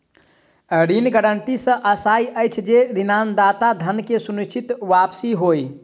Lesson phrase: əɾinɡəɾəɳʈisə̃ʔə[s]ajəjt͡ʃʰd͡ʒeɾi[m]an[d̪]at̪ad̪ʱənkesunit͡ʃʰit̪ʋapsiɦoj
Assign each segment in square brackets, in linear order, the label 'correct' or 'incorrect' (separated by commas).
correct, incorrect, correct